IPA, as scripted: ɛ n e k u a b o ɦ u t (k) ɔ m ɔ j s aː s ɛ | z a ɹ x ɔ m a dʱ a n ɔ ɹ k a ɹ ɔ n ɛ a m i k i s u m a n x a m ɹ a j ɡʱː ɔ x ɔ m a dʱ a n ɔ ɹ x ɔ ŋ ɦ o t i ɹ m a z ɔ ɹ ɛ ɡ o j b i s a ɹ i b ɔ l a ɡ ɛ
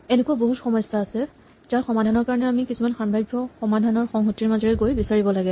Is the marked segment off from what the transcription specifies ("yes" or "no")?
yes